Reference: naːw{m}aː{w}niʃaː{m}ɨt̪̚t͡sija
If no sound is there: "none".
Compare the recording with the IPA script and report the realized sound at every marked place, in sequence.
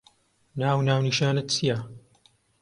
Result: n, w, n

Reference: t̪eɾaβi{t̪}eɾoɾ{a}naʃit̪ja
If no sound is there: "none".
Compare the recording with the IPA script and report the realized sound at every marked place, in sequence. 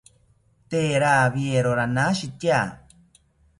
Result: none, a

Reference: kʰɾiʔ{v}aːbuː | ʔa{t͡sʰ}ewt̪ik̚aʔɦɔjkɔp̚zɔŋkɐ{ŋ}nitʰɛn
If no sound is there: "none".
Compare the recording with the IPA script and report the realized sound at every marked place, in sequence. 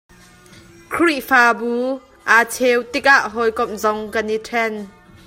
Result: f, t͡sʰ, none

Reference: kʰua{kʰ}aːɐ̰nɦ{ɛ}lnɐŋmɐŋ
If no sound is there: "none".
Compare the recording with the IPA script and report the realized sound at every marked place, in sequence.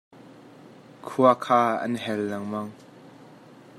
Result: kʰ, ɛ

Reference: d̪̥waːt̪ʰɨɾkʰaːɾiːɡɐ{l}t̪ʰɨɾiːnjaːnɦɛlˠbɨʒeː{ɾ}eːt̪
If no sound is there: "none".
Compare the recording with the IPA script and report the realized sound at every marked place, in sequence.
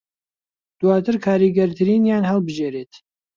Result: ɾ, ɾ

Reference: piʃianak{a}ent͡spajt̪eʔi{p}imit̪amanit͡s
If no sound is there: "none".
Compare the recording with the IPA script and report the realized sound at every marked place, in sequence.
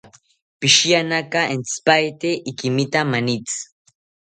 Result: a, k

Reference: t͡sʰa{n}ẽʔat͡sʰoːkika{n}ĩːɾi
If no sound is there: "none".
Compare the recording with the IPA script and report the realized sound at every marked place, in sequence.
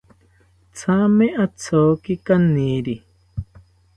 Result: m, n

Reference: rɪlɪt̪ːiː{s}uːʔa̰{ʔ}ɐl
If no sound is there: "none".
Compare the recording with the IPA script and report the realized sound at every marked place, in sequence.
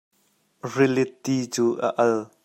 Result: t͡s, ʔ

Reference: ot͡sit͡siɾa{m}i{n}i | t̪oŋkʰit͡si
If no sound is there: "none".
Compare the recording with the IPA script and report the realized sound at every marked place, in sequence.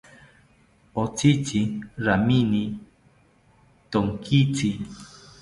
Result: m, n

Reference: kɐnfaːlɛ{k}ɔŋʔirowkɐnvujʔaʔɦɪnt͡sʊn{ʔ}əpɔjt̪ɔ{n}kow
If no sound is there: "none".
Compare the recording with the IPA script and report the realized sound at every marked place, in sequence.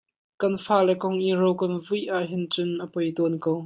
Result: k, ʔ, n

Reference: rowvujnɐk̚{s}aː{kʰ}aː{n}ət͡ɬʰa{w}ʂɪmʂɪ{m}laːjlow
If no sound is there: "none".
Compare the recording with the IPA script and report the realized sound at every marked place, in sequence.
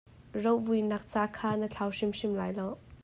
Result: t͡s, kʰ, n, w, m

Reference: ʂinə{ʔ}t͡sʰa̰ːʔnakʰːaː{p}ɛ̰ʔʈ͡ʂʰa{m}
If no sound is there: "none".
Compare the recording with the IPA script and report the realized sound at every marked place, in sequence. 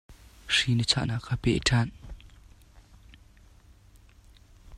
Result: none, p, n

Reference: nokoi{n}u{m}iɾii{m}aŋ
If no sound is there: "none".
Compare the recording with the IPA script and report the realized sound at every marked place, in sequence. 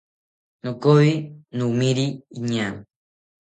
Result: n, m, ɲ

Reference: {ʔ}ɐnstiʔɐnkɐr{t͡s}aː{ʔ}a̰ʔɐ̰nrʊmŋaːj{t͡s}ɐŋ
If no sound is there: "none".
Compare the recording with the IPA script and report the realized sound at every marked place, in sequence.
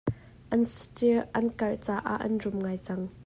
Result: ʔ, t͡s, ʔ, t͡s

